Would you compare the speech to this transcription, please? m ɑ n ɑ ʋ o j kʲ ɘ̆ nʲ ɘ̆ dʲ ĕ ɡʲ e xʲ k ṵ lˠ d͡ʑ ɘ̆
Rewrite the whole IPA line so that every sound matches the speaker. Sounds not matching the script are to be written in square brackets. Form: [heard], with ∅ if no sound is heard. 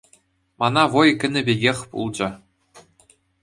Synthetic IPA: m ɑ n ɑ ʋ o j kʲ ɘ̆ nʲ ɘ̆ [bʲ] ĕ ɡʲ e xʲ [p] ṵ lˠ d͡ʑ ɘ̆